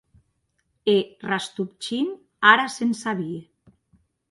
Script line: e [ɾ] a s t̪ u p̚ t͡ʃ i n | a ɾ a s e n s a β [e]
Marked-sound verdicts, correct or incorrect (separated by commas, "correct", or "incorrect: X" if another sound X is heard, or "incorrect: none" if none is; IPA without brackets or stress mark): incorrect: r, incorrect: i